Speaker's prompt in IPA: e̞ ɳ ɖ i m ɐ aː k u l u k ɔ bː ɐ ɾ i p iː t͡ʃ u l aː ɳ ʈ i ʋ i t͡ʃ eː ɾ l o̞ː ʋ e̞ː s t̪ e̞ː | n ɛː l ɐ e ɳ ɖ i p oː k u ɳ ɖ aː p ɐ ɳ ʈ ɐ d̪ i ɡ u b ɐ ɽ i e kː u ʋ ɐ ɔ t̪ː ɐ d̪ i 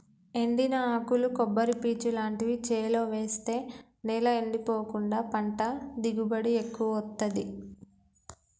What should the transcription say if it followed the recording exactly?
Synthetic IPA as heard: e̞ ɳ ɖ i n ɐ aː k u l u k ɔ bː ɐ ɾ i p iː t͡ʃ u l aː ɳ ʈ i ʋ i t͡ʃ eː l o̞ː ʋ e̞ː s t̪ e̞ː | n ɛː l ɐ e ɳ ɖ i p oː k u ɳ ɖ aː p ɐ ɳ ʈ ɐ d̪ i ɡ u b ɐ ɽ i e kː u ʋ ɐ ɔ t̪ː ɐ d̪ i